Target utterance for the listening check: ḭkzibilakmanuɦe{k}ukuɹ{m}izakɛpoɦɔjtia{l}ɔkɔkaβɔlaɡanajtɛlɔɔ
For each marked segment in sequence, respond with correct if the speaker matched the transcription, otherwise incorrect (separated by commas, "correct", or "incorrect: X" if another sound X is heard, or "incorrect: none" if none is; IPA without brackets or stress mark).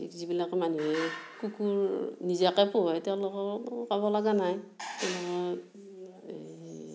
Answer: correct, incorrect: n, correct